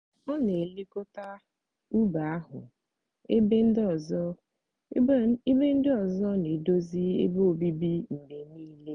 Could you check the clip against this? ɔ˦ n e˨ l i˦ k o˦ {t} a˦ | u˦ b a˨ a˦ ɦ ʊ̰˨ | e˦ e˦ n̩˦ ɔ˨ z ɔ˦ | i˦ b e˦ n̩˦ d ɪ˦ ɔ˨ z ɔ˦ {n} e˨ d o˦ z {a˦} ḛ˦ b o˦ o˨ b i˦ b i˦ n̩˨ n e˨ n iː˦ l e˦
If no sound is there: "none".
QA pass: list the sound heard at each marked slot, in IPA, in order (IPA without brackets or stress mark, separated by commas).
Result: t, n, i˦